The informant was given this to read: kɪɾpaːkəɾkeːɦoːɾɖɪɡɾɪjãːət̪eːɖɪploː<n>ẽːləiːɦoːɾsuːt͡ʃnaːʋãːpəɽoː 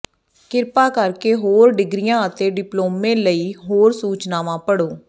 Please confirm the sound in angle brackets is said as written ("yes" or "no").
no